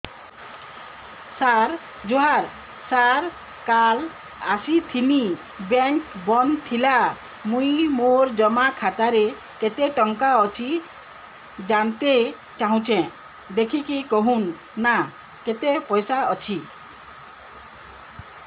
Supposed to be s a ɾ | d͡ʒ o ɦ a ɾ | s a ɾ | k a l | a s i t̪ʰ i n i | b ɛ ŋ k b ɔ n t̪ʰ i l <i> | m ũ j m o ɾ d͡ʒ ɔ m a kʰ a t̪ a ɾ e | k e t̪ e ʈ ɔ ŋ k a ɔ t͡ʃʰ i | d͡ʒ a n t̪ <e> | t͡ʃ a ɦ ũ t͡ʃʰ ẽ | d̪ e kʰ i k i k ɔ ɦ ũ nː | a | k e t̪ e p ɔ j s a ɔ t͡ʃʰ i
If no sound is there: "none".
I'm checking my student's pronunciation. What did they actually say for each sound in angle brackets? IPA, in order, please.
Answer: a, e

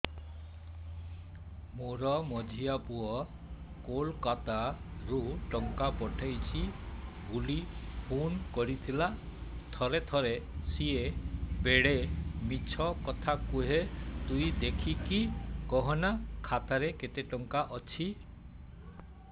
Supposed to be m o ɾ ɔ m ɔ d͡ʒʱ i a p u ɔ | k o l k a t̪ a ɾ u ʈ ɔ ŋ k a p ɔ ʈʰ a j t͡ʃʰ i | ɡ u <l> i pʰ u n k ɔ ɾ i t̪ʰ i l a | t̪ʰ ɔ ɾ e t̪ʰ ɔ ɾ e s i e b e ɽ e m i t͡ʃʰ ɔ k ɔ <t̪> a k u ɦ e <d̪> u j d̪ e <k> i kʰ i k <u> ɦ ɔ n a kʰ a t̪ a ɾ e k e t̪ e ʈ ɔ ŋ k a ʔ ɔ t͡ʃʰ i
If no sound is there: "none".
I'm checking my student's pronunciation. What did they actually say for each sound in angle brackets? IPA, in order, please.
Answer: l, t̪ʰ, t̪, kʰ, ɔ

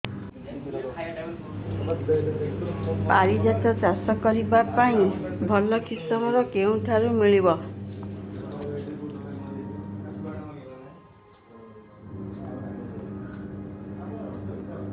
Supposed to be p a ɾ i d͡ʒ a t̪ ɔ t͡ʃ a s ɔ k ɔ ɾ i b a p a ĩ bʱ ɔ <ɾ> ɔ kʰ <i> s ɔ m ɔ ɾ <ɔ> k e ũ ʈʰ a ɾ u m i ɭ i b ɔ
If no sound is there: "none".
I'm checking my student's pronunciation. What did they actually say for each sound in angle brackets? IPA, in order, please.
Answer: l, i, ɔ

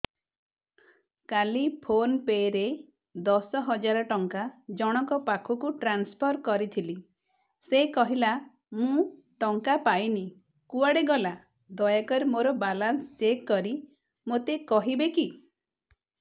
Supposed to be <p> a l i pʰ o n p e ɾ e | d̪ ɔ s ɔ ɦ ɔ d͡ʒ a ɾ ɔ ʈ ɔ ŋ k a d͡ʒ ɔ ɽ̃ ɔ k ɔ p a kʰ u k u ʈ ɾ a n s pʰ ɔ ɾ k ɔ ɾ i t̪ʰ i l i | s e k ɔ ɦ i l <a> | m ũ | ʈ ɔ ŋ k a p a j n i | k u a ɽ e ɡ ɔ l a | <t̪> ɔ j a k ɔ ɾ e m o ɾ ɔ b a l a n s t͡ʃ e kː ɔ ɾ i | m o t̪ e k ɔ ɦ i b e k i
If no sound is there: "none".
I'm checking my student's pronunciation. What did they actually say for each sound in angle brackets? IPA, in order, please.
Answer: k, a, d̪

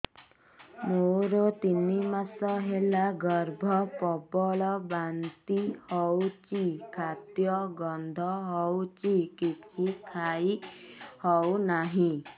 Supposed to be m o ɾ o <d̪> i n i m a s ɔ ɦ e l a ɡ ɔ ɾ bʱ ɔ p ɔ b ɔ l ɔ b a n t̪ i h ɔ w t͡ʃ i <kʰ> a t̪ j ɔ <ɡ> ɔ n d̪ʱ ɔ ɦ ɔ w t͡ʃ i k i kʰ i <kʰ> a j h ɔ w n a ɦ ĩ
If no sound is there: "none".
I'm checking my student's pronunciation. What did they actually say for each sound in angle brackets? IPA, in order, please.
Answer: t̪, kʰ, ɡ, kʰ

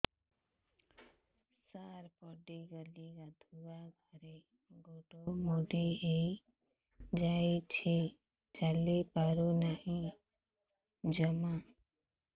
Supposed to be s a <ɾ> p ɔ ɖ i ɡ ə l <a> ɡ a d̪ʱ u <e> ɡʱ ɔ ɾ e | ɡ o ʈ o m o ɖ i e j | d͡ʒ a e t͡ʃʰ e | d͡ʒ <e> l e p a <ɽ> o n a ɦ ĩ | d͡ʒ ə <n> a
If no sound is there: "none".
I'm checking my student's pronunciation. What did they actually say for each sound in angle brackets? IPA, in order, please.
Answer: ɾ, i, a, a, ɾ, m

